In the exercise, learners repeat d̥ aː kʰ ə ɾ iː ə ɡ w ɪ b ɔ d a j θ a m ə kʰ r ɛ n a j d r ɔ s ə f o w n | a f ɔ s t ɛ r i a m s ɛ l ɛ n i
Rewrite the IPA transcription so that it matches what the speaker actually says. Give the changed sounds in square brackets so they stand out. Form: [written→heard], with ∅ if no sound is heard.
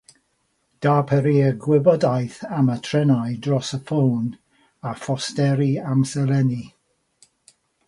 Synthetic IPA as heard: d̥ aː [kʰ→pʰ] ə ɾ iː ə ɡ w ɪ b ɔ d a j θ a m ə [kʰ→tʰ] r ɛ n a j d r ɔ s ə f o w n | a f ɔ s t ɛ [r→ɾ] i a m s ɛ l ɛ n i